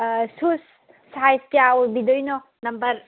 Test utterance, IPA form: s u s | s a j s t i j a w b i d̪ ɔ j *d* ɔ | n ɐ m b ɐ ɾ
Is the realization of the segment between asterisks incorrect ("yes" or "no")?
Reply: yes